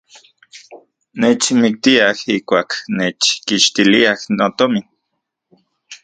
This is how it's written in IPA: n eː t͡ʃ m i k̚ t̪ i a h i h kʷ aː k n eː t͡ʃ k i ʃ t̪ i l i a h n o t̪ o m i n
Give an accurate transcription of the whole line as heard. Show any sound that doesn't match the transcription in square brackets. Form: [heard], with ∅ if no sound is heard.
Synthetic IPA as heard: n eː t͡ʃ m i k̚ t̪ i a h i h kʷ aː k n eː t͡ʃ k i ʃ t̪ i l i a h n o t̪ o m i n